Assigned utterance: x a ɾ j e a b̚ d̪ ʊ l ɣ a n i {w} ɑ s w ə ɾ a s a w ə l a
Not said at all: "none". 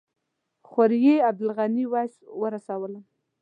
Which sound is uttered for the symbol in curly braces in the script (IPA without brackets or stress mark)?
w